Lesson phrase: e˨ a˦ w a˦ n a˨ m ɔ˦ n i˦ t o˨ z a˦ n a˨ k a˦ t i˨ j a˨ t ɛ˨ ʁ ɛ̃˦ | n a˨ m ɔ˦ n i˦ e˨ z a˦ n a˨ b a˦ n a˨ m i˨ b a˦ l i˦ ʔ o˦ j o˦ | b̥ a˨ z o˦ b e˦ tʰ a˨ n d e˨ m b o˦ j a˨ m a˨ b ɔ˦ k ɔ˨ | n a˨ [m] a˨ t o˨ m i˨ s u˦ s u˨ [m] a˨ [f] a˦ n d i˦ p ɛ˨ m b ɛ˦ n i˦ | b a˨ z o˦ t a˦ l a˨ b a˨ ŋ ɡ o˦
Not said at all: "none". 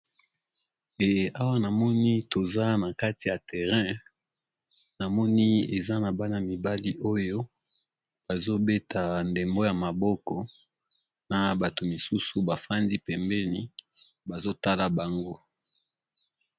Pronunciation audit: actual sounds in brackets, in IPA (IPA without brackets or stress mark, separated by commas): b, b, f